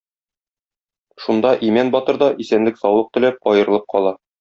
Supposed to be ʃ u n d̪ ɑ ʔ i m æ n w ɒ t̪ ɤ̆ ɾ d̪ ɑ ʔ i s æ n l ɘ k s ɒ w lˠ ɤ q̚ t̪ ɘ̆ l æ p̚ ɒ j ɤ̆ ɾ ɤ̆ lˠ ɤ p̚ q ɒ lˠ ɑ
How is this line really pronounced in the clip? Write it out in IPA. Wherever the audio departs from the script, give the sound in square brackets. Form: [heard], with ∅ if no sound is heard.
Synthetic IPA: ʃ u n d̪ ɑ ʔ i m æ n [b] ɒ t̪ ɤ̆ ɾ d̪ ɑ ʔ i s æ n l ɘ k s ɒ w lˠ ɤ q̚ t̪ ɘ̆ l æ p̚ ɒ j ɤ̆ ɾ ɤ̆ lˠ ɤ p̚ q ɒ lˠ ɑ